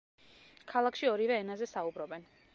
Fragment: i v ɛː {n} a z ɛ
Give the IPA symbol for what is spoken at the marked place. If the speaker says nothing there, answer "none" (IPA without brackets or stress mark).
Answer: n